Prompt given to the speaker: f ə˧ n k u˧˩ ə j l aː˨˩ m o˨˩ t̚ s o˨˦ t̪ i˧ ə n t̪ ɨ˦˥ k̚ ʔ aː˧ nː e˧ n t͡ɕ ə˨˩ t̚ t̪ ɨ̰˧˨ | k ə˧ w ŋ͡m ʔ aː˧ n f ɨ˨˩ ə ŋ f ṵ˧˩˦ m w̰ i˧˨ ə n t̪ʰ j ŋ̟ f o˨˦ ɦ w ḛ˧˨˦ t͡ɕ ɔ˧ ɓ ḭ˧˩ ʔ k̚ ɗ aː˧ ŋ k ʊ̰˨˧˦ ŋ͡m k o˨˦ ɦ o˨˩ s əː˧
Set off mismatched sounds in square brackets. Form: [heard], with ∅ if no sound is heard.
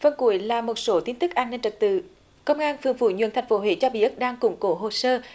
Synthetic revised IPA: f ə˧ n k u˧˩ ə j l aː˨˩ m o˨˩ t̚ s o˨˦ t̪ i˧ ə n t̪ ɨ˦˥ k̚ ʔ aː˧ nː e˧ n t͡ɕ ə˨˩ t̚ t̪ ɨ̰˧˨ | k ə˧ w ŋ͡m ʔ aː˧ n f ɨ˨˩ ə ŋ f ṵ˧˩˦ [ɲ] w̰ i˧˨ ə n t̪ʰ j ŋ̟ f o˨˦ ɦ w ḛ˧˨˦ t͡ɕ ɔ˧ ɓ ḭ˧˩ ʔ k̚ ɗ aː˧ ŋ k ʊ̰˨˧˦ ŋ͡m k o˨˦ ɦ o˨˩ s əː˧